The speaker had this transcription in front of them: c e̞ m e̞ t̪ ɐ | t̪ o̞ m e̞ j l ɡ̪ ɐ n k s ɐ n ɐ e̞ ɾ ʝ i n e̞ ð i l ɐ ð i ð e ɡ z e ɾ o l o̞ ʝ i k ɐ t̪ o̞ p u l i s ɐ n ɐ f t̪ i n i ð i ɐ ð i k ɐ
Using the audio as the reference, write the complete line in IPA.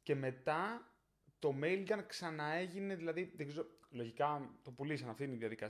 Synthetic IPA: c e̞ m e̞ t̪ ɐ | t̪ o̞ m e̞ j l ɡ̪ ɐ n k s ɐ n ɐ e̞ ʝ i n e̞ ð i l ɐ ð i ð e ɡ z e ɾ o l o̞ ʝ i k ɐ t̪ o̞ p u l i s ɐ n ɐ f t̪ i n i ð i ɐ ð i k ɐ